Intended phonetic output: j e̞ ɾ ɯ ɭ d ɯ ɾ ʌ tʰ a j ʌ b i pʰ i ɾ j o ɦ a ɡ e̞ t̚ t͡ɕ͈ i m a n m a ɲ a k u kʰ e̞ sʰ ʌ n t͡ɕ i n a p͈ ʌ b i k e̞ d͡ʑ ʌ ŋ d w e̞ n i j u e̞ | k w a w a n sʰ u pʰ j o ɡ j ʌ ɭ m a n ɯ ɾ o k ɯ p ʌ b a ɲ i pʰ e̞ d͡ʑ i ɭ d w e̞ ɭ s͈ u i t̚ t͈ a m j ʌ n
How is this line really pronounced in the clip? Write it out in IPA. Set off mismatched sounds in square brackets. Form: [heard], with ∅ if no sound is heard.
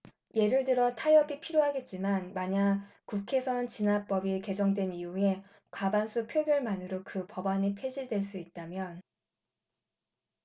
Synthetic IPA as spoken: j e̞ ɾ ɯ ɭ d ɯ ɾ ʌ tʰ a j ʌ b i pʰ i ɾ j o ɦ a ɡ e̞ t̚ t͡ɕ͈ i m a n m a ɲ a k u kʰ e̞ sʰ ʌ n t͡ɕ i n a p͈ ʌ b i k e̞ d͡ʑ ʌ ŋ d w e̞ n i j u e̞ | k w a [b] a n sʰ u pʰ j o ɡ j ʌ ɭ m a n ɯ ɾ o k ɯ p ʌ b a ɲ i pʰ e̞ d͡ʑ i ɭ d w e̞ ɭ s͈ u i t̚ t͈ a m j ʌ n